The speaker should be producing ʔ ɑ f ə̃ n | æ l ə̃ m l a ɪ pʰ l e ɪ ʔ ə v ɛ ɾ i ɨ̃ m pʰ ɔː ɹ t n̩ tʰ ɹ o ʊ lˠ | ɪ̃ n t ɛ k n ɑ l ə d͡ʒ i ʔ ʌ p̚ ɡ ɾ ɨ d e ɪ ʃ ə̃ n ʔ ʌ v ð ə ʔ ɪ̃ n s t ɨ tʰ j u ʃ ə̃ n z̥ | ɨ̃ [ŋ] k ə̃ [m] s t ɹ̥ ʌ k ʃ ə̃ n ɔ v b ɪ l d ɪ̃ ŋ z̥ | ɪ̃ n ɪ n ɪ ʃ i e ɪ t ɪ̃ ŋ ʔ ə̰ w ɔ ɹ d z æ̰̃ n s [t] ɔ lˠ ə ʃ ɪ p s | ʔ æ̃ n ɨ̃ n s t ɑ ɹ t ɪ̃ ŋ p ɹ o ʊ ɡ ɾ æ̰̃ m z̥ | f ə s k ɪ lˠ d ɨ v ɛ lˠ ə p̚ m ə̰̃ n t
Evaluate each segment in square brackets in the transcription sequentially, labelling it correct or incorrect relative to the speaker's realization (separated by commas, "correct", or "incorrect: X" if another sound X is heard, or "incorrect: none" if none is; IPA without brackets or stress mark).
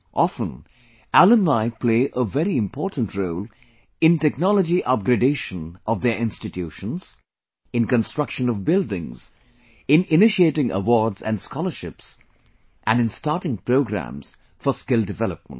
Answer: incorrect: n, incorrect: n, incorrect: k